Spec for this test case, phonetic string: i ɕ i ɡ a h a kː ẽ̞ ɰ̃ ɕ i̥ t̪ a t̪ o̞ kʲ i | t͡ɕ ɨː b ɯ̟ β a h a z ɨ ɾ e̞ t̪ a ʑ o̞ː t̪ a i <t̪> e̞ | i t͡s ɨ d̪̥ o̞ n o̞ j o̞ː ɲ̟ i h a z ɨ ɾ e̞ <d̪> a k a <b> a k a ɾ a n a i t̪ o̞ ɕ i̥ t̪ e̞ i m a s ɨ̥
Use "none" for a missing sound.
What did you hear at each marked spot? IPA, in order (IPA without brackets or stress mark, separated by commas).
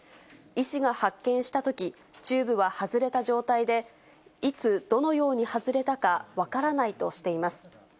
d̪, t̪, β